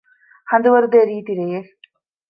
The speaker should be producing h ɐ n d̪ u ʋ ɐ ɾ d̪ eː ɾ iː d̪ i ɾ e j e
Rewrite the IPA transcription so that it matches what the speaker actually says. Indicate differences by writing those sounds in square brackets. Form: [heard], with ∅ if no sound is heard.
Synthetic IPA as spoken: h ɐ n d̪ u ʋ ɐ ɾ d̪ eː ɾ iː [t̪] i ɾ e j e